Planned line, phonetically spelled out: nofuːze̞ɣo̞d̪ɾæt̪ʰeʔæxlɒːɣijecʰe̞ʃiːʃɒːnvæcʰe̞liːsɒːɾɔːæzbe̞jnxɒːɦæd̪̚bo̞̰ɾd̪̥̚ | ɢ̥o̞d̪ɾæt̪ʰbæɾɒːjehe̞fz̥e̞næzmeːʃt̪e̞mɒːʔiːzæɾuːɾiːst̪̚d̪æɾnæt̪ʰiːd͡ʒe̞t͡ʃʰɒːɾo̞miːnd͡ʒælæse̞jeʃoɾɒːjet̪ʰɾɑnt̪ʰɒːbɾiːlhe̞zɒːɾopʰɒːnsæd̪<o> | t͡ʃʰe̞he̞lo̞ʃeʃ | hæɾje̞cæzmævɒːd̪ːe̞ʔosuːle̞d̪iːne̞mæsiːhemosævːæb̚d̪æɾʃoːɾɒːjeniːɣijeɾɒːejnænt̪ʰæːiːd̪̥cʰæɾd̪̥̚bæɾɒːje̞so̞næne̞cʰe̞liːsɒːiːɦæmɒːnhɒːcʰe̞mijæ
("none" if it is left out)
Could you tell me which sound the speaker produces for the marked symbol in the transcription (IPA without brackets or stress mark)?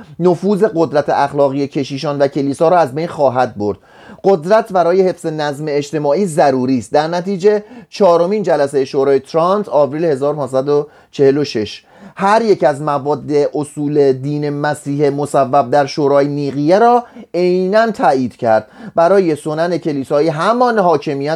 o